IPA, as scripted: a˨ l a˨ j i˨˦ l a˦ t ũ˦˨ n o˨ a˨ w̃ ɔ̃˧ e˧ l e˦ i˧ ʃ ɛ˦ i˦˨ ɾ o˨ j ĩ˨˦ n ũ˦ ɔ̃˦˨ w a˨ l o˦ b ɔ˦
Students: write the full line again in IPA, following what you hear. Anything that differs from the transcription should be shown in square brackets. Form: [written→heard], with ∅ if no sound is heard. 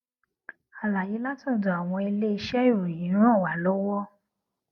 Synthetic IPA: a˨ l a˨ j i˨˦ l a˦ t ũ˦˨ [n→d] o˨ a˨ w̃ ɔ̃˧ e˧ l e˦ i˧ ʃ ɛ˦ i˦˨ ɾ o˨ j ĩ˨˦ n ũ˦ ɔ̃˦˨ w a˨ l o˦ [b→w] ɔ˦